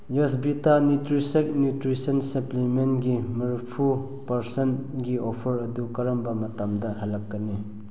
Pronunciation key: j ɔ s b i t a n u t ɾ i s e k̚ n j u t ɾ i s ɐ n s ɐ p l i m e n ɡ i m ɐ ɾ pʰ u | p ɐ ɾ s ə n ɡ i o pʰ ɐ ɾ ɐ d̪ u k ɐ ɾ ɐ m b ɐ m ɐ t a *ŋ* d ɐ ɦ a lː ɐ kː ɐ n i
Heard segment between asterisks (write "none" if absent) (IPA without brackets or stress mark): m